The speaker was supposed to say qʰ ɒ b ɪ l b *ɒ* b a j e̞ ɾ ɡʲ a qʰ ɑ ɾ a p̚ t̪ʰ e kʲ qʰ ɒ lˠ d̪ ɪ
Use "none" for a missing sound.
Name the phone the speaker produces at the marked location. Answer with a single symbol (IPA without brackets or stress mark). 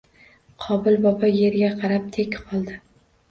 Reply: ɒ